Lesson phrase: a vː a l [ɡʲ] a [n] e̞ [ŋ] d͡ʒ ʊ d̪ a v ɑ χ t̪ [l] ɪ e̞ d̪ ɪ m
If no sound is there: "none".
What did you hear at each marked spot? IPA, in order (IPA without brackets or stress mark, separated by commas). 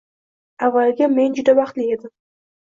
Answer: ɡʲ, m, n, l